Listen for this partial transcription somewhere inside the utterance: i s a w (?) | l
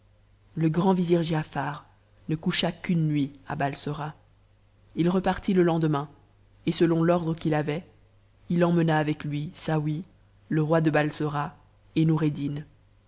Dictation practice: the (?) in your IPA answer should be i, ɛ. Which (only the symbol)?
i